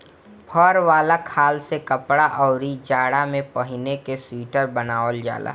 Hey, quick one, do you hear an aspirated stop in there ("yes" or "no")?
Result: yes